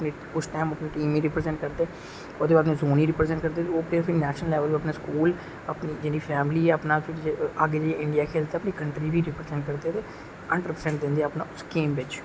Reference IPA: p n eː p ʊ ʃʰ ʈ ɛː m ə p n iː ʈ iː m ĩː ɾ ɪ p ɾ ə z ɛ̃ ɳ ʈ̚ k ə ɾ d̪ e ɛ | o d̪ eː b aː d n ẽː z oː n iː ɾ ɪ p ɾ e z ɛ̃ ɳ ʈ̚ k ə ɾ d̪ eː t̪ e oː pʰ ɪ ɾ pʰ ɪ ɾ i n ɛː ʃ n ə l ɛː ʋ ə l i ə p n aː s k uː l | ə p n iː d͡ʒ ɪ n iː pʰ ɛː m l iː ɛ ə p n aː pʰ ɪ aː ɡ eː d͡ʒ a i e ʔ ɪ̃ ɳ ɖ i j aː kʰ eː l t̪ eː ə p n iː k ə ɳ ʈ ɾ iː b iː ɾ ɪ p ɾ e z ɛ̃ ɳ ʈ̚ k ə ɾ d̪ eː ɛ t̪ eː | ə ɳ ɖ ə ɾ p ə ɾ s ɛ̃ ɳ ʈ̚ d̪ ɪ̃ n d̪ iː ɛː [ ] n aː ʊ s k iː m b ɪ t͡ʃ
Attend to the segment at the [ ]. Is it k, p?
p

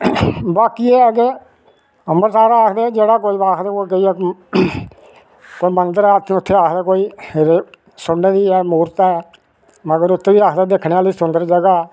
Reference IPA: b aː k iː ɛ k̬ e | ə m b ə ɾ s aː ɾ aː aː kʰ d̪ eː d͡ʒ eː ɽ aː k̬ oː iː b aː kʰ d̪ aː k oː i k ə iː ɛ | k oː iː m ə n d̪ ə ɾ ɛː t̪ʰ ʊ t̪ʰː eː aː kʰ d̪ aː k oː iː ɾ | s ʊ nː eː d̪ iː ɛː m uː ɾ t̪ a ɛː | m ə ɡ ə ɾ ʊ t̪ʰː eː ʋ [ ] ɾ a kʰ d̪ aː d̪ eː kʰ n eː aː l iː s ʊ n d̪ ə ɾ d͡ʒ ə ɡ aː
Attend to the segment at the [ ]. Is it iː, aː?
iː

